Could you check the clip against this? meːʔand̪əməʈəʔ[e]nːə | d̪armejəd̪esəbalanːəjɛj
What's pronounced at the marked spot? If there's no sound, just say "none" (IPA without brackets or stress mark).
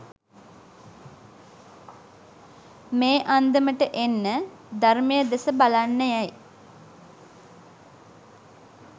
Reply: e